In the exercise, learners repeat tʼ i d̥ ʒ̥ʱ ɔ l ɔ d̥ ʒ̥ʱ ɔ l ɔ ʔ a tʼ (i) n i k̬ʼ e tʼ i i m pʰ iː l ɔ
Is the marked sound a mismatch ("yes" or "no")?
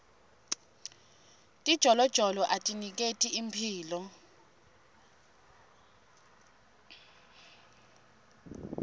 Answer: no